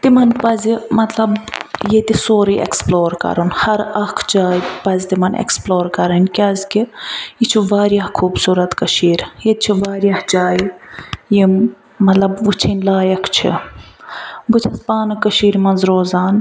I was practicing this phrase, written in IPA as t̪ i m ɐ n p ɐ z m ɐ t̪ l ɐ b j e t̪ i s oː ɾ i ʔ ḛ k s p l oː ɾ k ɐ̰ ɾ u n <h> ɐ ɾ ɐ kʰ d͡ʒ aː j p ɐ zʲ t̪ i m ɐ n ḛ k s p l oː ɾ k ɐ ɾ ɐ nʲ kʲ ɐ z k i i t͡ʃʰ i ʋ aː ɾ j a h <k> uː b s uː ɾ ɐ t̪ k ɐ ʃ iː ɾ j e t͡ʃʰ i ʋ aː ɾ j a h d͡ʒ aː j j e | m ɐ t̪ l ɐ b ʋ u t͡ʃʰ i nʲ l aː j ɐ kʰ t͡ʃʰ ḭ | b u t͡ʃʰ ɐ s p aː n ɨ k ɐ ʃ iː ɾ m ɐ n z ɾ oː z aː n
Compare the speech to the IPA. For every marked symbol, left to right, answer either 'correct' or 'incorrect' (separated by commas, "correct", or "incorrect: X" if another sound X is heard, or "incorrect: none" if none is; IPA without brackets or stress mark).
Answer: correct, incorrect: kʰ